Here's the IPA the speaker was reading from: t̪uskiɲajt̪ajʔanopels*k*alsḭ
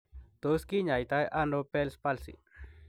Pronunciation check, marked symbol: incorrect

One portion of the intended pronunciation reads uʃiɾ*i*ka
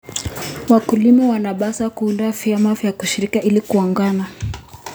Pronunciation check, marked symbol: correct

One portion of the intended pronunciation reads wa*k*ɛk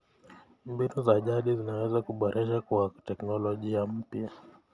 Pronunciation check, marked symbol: incorrect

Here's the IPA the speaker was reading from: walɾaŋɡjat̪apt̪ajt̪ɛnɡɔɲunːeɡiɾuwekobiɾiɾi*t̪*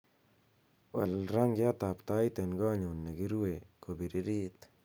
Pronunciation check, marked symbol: correct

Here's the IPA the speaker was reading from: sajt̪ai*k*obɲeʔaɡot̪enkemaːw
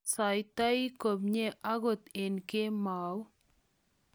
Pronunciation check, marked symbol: correct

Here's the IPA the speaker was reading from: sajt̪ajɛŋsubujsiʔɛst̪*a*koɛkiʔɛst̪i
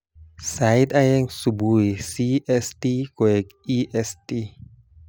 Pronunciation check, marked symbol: incorrect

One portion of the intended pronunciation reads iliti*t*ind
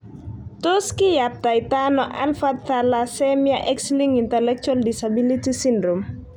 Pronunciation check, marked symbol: incorrect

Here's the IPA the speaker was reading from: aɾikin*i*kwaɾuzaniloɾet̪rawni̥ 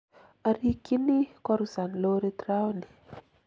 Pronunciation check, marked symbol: correct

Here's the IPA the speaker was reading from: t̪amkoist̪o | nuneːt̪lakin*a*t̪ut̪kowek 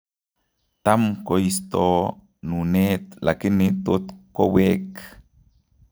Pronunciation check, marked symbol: incorrect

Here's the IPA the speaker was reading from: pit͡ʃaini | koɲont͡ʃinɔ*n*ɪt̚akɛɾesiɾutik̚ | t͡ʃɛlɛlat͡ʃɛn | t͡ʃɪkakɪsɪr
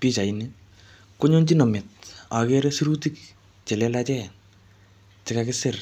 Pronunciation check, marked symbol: incorrect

